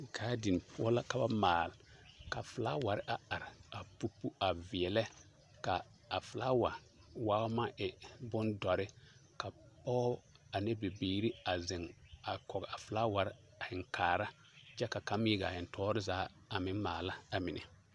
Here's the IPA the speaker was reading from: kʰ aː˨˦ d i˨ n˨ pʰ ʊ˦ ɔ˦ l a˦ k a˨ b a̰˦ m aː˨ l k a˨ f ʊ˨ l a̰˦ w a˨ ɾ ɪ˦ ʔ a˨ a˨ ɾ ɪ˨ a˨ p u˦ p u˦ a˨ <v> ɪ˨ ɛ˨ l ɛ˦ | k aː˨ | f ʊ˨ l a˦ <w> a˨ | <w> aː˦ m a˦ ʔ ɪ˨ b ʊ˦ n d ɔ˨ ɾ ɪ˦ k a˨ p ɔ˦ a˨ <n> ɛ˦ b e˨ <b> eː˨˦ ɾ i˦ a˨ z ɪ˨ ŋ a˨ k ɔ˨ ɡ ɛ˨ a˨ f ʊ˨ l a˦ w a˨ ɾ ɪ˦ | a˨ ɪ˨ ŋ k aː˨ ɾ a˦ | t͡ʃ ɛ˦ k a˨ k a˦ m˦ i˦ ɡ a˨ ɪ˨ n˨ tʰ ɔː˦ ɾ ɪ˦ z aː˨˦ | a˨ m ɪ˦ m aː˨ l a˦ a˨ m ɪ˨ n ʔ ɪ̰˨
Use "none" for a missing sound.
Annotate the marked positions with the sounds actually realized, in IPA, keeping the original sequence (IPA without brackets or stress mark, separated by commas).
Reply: v, w, w, n, b